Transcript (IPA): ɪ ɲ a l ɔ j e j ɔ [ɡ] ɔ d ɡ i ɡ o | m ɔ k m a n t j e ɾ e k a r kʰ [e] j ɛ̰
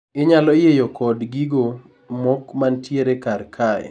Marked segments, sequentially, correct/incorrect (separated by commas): incorrect, incorrect